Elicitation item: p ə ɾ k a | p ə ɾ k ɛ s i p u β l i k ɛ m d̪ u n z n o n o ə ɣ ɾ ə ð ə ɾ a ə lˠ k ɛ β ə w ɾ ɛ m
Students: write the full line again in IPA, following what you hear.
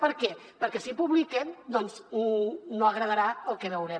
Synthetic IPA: p ə ɾ k ɛ | p ə ɾ k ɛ s i p u β l i k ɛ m d̪ ɔ n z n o n o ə ɣ ɾ ə ð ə ɾ a ə lˠ k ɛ β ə w ɾ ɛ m